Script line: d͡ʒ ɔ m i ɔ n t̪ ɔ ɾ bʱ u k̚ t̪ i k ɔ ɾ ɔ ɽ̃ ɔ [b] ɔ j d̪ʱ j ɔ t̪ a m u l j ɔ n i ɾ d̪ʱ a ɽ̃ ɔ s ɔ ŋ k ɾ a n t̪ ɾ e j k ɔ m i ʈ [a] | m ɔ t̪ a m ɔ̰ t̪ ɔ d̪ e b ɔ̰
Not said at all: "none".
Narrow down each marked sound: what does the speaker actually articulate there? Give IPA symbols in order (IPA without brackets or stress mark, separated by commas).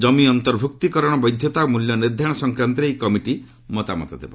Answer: b, i